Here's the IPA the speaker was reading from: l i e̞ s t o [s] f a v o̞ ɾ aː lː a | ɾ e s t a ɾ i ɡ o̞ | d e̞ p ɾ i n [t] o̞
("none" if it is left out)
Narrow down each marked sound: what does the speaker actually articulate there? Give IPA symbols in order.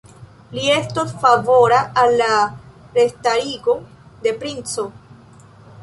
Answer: s, t͡s

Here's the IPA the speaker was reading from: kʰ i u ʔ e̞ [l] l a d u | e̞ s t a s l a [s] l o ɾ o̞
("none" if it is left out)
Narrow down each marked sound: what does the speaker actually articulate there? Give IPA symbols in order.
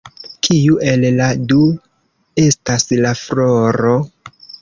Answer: l, f

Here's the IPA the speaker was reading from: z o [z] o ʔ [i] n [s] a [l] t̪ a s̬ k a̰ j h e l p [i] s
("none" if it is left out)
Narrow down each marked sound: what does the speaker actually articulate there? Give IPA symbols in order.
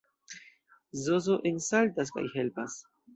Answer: z, e, s, l, a

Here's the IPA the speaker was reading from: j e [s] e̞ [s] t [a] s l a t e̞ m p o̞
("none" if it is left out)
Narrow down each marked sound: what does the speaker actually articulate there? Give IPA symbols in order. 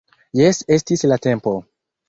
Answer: s, s, i

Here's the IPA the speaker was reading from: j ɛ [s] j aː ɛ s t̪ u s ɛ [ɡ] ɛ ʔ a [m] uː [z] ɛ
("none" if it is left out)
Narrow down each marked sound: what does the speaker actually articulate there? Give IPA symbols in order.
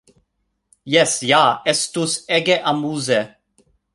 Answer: s, ɡ, m, z

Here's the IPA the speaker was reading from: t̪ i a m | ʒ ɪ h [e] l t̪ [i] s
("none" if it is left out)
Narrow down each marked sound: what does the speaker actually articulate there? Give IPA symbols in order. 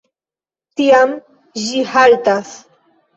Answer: a, a

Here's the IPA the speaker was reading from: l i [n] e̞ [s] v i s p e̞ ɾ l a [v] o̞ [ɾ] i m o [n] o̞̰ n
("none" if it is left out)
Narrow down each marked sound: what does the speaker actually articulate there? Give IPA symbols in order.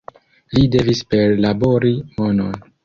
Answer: d, none, b, ɾ, n

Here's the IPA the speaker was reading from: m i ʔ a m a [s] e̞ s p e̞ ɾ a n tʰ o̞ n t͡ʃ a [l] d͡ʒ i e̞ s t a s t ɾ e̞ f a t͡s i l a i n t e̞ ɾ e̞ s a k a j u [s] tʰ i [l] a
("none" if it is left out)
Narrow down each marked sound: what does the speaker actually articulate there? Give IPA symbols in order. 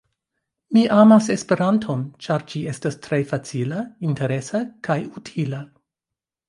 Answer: s, ɾ, none, l

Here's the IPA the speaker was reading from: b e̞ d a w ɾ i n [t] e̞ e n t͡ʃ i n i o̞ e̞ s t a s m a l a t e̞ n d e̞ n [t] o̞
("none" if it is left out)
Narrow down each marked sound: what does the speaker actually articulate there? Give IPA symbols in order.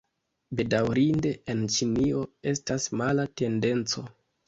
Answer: d, t͡s

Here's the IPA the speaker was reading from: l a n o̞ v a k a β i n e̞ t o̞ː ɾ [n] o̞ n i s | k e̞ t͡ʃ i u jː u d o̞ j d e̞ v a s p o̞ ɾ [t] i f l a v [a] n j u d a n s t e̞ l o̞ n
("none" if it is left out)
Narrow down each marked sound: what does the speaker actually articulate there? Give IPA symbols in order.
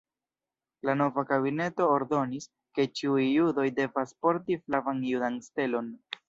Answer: d, t, a

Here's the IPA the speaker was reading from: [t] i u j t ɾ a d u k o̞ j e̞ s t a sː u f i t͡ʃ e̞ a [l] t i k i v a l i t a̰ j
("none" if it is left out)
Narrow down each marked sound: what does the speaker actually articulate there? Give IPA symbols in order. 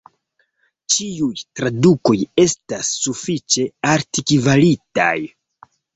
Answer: t͡ʃ, ɾ

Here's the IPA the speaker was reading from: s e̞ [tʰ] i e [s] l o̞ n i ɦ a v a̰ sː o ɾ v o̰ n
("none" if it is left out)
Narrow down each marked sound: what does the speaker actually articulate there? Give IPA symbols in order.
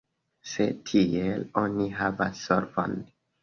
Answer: tʰ, none

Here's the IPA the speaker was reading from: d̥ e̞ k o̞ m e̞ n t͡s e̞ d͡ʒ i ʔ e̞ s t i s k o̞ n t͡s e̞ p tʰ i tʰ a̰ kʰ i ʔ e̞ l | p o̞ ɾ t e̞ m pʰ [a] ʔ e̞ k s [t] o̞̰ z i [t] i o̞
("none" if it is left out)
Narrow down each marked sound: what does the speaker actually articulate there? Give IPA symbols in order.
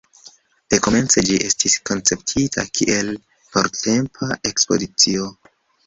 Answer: a, p, t͡s

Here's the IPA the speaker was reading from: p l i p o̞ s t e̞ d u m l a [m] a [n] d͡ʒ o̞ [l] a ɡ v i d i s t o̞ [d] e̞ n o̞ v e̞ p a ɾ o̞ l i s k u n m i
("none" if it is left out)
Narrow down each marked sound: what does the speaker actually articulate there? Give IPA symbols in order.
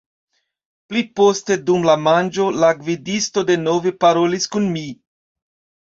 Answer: m, n, l, d

